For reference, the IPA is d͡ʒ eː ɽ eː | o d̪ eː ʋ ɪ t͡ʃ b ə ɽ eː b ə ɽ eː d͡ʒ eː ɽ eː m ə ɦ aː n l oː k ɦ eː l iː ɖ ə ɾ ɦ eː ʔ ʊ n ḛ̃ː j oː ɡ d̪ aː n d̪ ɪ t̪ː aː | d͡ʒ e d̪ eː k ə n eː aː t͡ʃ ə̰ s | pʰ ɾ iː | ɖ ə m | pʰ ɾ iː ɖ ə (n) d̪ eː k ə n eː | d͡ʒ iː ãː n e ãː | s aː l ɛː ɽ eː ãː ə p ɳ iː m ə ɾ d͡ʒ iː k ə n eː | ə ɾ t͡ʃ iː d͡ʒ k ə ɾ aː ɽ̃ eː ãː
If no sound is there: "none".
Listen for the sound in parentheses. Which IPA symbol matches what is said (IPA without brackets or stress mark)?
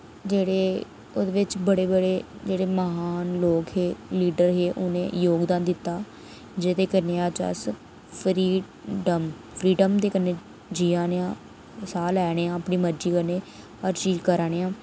m